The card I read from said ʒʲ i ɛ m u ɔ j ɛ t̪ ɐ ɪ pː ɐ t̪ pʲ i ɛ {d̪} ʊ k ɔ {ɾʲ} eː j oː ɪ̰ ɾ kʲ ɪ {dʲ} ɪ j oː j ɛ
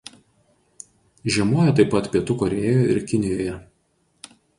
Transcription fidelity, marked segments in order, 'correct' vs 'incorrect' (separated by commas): incorrect, correct, incorrect